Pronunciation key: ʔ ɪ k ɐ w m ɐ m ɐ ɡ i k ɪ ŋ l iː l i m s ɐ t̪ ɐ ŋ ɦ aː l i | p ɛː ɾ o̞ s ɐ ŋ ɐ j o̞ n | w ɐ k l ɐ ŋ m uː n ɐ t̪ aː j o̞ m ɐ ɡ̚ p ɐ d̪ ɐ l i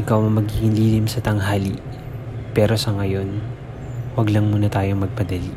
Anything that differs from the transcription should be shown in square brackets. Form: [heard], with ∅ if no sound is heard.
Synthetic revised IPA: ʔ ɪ k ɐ w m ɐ m ɐ ɡ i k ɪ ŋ l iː l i m s ɐ t̪ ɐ ŋ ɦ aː l i | p ɛː ɾ o̞ s ɐ ŋ ɐ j o̞ n | w ɐ [ɡ] l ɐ ŋ m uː n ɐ t̪ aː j o̞ m ɐ ɡ̚ p ɐ d̪ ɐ l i